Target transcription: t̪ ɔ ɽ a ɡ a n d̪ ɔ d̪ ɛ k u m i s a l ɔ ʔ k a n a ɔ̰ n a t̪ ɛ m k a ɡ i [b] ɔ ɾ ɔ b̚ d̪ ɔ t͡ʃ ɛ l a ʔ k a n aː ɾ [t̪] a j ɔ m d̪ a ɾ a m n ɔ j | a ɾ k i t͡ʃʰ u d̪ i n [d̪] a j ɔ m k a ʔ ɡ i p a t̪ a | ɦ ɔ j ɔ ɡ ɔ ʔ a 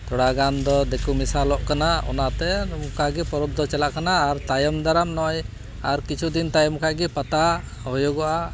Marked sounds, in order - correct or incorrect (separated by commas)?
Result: incorrect, correct, incorrect